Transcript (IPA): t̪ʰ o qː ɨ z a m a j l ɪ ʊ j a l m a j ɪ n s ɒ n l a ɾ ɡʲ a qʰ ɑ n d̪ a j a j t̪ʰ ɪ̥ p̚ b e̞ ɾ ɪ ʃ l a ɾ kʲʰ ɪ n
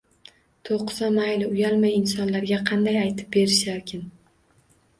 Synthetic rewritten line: t̪ʰ o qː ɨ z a m a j l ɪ ʊ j a l m a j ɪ n s ɒ n l a ɾ ɡʲ a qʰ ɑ n d̪ a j a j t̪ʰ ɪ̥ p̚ b e̞ ɾ ɪ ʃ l a ɾ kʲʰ ɪ n